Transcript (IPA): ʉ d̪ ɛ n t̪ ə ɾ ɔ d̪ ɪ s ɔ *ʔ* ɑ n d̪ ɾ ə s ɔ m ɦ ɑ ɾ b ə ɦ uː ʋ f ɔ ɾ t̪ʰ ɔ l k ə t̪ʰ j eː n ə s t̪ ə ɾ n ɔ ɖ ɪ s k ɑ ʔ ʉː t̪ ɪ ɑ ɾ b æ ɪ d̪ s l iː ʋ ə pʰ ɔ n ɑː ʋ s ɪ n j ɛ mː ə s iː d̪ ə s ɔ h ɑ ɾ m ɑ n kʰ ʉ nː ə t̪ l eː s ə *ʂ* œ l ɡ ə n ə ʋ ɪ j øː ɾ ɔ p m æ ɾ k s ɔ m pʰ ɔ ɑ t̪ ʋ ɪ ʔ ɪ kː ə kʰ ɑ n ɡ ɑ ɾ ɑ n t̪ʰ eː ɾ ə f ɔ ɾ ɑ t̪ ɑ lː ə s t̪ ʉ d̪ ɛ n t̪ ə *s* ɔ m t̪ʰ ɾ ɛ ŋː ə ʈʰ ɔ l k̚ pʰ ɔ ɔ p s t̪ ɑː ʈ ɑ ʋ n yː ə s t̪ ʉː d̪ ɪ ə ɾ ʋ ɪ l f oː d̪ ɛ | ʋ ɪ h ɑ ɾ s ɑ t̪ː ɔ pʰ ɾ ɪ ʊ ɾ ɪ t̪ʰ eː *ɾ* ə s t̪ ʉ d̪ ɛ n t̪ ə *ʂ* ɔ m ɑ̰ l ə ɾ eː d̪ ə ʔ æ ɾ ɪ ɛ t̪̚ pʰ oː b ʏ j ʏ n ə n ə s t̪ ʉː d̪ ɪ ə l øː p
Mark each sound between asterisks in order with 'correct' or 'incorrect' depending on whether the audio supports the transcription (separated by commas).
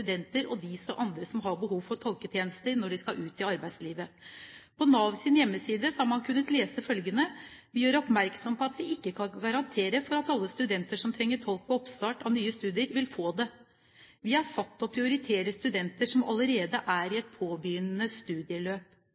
correct, incorrect, incorrect, correct, correct